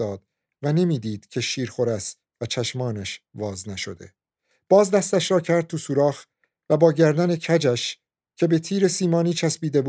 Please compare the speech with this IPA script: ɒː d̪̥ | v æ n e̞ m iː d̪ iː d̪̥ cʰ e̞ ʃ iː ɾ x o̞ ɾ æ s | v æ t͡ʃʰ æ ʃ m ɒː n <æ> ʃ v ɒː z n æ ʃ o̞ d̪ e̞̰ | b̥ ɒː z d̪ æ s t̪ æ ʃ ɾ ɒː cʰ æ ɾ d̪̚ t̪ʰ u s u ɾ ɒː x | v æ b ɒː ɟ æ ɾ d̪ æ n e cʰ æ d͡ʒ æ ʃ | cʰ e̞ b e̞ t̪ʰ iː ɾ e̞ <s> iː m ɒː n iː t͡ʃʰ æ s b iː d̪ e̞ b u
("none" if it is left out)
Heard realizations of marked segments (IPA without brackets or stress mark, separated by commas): æ, s